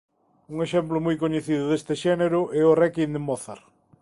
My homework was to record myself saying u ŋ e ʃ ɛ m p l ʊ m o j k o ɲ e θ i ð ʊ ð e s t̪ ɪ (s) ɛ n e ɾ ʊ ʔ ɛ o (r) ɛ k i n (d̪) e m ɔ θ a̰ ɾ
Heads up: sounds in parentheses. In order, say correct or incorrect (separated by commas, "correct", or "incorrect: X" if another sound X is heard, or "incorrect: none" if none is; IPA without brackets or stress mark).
incorrect: ʃ, correct, correct